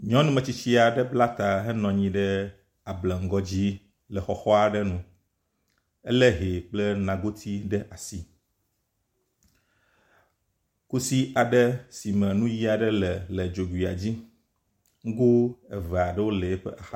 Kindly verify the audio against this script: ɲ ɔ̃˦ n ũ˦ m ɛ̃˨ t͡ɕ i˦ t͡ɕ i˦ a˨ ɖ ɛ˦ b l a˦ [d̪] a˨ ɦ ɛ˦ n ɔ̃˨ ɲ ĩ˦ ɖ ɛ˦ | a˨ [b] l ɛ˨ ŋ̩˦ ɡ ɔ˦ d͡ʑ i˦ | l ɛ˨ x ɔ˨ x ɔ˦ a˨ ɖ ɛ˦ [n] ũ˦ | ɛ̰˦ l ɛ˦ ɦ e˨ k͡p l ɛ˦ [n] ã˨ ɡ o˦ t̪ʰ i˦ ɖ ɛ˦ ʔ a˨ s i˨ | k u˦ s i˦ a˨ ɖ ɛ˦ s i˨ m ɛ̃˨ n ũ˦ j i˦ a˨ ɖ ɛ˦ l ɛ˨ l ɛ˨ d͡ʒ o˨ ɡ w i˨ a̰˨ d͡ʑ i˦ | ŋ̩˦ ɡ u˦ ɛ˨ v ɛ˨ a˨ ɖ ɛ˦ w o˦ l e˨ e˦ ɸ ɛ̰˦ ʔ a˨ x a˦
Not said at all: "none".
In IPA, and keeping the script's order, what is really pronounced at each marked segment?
t̪, b, n, n

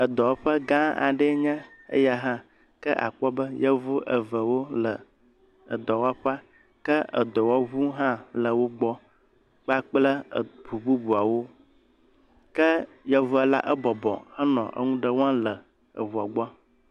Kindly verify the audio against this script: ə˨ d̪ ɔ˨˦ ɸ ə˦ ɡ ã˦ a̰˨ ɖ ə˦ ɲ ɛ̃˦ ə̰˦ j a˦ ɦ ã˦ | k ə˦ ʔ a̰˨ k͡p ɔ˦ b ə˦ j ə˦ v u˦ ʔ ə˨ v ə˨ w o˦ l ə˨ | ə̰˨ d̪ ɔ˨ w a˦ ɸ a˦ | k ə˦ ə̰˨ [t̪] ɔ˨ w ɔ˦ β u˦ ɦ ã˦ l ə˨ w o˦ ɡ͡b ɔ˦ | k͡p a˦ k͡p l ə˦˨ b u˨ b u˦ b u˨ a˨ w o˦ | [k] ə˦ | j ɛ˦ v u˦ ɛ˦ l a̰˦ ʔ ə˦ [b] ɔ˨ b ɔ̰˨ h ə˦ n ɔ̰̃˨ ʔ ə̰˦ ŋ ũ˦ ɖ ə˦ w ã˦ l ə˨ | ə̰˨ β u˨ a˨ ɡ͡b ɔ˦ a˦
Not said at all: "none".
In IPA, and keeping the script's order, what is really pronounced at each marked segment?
d̪, k, b

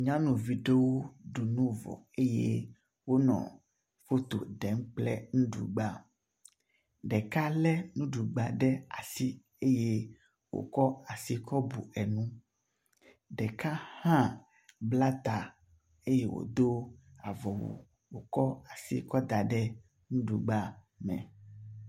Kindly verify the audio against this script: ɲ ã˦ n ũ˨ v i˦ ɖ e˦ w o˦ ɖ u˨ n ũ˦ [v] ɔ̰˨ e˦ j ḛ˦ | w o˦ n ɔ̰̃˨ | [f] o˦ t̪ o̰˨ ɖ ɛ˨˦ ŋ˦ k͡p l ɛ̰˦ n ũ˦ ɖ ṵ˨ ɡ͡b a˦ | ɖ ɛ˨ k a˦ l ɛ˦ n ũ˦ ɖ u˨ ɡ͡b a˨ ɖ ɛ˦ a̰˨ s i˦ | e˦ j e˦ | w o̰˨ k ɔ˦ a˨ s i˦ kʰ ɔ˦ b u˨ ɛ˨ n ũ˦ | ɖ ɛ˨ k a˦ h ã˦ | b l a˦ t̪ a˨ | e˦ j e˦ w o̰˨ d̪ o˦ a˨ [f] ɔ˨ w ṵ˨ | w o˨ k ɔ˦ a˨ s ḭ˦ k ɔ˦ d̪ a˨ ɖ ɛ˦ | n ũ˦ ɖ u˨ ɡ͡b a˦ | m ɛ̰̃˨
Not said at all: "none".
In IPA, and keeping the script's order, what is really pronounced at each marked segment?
v, f, v

